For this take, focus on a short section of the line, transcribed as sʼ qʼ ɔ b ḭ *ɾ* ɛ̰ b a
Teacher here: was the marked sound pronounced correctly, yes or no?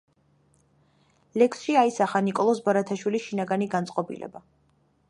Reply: no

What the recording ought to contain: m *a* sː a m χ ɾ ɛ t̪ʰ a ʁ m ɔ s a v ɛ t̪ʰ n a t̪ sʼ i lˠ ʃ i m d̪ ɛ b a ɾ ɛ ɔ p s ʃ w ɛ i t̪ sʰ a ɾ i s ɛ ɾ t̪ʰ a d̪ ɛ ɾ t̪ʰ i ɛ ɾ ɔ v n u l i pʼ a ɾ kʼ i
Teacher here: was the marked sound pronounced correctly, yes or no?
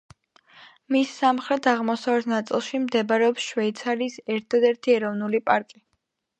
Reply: no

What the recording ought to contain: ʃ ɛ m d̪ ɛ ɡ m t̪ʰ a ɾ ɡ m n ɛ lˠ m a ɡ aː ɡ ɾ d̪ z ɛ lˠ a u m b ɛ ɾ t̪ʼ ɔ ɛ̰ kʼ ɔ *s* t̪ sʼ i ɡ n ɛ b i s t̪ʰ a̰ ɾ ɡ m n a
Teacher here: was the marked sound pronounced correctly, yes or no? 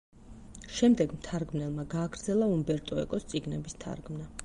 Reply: yes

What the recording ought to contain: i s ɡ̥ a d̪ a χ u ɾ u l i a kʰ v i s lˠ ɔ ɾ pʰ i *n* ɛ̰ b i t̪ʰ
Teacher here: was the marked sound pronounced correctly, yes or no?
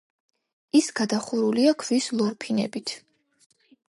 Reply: yes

